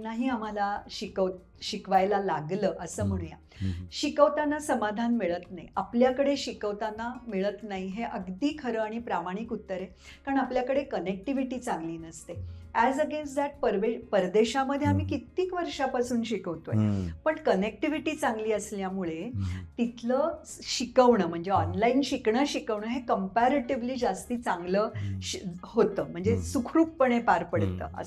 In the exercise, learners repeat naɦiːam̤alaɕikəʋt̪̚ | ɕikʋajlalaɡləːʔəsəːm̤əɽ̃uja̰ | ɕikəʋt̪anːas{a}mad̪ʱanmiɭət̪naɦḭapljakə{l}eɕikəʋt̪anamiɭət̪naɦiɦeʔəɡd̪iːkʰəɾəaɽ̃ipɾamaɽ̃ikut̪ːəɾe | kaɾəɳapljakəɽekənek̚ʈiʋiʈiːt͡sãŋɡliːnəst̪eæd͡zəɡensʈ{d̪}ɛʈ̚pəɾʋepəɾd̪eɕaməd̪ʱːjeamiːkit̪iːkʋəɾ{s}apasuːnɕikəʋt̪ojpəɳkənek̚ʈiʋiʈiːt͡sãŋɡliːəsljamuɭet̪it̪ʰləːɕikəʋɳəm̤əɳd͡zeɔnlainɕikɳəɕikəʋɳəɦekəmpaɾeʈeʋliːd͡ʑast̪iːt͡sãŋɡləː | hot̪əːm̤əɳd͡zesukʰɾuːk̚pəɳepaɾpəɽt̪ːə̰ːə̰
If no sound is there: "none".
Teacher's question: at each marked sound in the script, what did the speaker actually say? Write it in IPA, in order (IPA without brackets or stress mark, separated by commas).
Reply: ə, ɽ, d̪, ʂ